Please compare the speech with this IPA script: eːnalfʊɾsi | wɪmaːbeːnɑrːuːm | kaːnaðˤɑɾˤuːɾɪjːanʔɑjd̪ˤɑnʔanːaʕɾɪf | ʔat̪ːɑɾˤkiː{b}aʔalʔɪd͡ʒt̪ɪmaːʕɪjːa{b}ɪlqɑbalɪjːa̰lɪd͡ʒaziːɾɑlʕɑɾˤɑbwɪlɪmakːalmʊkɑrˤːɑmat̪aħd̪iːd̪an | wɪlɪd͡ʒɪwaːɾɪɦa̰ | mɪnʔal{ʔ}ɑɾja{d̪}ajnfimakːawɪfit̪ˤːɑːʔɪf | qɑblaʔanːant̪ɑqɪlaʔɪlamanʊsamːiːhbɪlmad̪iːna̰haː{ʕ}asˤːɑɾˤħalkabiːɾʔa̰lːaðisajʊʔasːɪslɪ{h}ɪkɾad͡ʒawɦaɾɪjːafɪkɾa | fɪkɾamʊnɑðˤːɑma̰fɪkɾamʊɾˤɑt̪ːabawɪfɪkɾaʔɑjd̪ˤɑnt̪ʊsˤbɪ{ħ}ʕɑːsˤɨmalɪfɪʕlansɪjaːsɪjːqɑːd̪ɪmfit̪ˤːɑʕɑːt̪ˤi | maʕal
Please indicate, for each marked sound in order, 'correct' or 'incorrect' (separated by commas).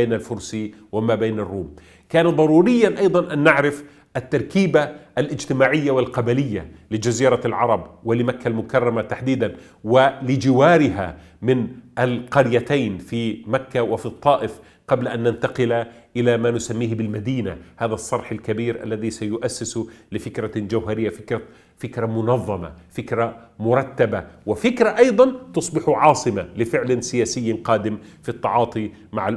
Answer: correct, incorrect, incorrect, incorrect, incorrect, incorrect, correct